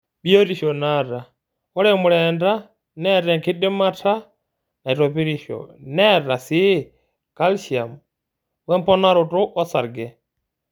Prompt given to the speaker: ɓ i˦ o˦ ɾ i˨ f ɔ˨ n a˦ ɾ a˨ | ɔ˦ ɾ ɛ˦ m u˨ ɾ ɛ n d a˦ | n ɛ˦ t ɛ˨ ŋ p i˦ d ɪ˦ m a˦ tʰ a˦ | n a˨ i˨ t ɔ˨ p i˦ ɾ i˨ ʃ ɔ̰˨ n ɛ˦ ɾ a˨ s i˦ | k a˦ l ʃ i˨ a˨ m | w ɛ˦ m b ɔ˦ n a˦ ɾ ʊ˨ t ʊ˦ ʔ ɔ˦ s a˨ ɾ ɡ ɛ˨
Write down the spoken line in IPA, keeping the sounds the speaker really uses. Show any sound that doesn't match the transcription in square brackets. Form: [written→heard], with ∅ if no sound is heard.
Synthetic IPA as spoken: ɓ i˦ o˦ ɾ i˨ [f→ʃ] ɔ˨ n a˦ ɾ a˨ | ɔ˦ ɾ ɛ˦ m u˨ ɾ ɛ n d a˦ | n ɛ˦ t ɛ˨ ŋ [p→k] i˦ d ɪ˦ m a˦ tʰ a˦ | n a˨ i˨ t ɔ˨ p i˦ ɾ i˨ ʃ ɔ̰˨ n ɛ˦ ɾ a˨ s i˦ | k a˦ l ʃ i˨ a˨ m | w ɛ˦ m [b→p] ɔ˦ n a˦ ɾ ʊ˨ t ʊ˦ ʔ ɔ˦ s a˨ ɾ ɡ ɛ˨